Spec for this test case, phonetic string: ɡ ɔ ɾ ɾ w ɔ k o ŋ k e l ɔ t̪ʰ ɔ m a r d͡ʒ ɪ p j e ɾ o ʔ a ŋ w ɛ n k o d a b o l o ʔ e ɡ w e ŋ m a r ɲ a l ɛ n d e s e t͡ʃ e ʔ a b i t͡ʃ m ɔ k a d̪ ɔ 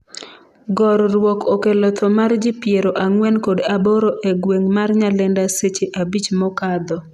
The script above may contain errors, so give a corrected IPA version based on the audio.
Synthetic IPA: ɡ ɔ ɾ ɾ w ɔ k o k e l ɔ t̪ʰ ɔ m a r d͡ʒ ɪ p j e ɾ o ʔ a ŋ w ɛ n k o d a b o ɾ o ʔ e ɡ w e ŋ m a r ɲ a l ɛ n d a s e t͡ʃ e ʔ a b i t͡ʃ m ɔ k a d̪ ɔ

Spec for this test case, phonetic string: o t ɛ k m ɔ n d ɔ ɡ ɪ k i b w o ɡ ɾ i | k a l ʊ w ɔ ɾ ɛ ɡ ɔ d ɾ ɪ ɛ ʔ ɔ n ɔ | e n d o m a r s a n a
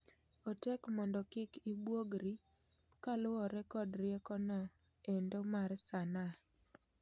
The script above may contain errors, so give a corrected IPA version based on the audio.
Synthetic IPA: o t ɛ k m ɔ n d ɔ k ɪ k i b w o ɡ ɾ i | k a l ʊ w ɔ ɾ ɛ k ɔ d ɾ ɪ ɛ k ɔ n ɔ | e n d o m a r s a n a

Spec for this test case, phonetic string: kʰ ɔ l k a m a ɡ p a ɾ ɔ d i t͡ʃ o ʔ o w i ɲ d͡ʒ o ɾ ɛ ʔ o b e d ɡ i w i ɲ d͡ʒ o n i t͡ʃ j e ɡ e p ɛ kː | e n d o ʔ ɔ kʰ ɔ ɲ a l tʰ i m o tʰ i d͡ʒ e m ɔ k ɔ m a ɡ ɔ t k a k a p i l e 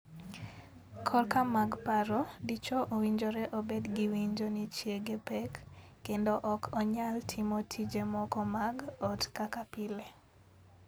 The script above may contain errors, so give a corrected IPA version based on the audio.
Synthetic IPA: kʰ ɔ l k a m a ɡ p a ɾ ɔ d i t͡ʃ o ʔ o w i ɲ d͡ʒ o ɾ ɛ ʔ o b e d ɡ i w i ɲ d͡ʒ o n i t͡ʃ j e ɡ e p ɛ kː | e n d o ʔ ɔ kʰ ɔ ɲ a l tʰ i m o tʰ i d͡ʒ e m ɔ k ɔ m a ɡ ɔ t k a k a p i l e

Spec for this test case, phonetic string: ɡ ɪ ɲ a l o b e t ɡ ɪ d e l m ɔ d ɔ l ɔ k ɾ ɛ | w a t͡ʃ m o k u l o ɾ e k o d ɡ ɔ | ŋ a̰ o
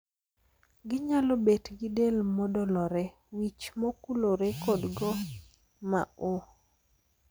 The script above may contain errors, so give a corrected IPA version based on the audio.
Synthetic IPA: ɡ ɪ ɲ a l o b e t ɡ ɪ d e l m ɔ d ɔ l ɔ ɾ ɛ | w i t͡ʃ m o k u l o ɾ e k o d ɡ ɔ | m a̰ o

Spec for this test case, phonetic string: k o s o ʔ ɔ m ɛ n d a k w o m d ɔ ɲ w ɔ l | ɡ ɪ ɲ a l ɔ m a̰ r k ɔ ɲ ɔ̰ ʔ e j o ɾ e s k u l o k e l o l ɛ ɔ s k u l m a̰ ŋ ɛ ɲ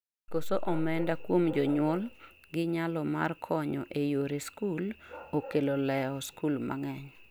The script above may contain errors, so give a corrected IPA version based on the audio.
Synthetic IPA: k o s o ʔ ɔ m ɛ n d a k w o m d͡ʒ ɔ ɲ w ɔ l | ɡ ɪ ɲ a l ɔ m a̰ r kʰ ɔ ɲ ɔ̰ ʔ e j o ɾ e s k u l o k e l o l ɛ ɔ s k u l m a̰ ŋ ɛ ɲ

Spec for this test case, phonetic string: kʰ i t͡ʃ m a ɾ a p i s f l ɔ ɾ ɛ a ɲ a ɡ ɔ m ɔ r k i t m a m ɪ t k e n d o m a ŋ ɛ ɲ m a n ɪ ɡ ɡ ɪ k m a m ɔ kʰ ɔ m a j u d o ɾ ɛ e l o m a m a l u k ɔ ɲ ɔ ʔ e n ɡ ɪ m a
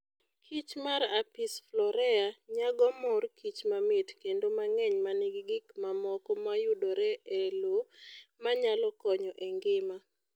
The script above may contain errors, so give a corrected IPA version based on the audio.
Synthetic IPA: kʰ i t͡ʃ m a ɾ a p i s f l ɔ ɾ ɛ a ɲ a ɡ ɔ m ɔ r k i t͡ʃ m a m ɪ t k e n d o m a ŋ ɛ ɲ m a n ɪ ɡ ɡ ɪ k m a m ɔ k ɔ m a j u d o ɾ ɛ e l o m a ɲ a l ɔ k ɔ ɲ ɔ ʔ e ŋ ɡ ɪ m a

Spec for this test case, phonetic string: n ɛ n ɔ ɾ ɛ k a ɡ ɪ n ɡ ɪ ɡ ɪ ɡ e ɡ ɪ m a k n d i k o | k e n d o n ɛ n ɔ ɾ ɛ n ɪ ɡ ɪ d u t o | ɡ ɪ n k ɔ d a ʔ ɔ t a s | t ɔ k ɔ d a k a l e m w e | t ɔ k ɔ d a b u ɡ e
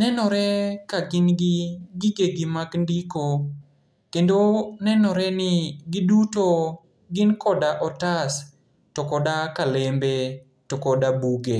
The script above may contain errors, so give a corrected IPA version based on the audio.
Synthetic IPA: n ɛ n ɔ ɾ ɛ k a ɡ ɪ n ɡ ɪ ɡ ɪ ɡ e ɡ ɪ m a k n d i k o | k e n d o n ɛ n ɔ ɾ ɛ n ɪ ɡ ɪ d u t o | ɡ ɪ n k ɔ d a ʔ ɔ t a s | t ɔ k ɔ d a k a l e m b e | t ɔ k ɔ d a b u ɡ e

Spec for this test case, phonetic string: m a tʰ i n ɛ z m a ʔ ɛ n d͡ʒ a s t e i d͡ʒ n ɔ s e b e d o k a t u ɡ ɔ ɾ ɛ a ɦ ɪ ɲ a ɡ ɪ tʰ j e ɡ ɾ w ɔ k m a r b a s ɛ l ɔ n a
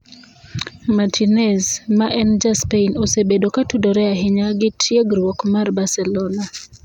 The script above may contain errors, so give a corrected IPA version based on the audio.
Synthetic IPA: m a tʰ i n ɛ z m a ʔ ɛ n d͡ʒ a s p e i n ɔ s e b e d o k a t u d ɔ ɾ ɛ a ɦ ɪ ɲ a ɡ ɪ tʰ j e ɡ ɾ w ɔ k m a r b a s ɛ l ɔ n a

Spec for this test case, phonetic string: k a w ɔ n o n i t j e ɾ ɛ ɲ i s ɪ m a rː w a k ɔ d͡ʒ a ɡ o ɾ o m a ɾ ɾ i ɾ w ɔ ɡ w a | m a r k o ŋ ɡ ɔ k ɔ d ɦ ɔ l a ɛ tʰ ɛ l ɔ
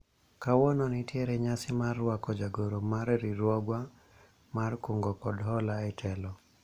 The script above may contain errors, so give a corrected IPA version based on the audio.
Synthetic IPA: k a w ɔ n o n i t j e ɾ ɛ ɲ a s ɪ m a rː w a k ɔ d͡ʒ a ɡ o ɾ o m a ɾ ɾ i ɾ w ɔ ɡ w a | m a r k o ŋ ɡ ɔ k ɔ d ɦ ɔ l a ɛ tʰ ɛ l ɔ

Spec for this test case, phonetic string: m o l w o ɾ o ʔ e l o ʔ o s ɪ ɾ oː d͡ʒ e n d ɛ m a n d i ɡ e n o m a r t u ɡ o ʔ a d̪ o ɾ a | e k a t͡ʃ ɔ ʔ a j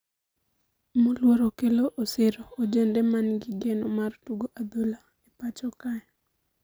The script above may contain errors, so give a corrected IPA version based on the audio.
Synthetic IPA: m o l w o ɾ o k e l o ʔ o s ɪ ɾ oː d͡ʒ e n d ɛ m a n ɡ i ɡ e n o m a r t u ɡ o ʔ a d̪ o l a | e p a t͡ʃ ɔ k a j

